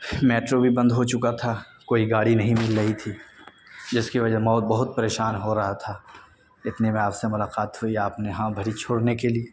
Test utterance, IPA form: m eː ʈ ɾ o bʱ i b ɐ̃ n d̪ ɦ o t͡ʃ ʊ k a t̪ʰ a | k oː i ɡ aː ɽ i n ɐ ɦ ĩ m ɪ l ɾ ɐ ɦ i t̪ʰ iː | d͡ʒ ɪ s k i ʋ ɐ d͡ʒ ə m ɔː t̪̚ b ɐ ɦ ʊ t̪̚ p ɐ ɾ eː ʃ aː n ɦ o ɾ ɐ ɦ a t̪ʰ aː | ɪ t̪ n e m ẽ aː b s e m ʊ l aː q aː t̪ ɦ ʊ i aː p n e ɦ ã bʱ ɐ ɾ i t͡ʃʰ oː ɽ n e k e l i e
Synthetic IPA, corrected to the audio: m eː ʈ ɾ o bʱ i b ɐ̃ n d̪ ɦ o t͡ʃ ʊ k a t̪ʰ a | k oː i ɡ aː ɽ i n ɐ ɦ ĩ m ɪ l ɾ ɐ ɦ i t̪ʰ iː | d͡ʒ ɪ s k i ʋ ɐ d͡ʒ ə m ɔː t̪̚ b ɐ ɦ ʊ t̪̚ p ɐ ɾ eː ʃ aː n ɦ o ɾ ɐ ɦ a t̪ʰ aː | ɪ t̪ n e m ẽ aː p s e m ʊ l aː q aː t̪ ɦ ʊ i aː p n e ɦ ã bʱ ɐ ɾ i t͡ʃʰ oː ɽ n e k e l i e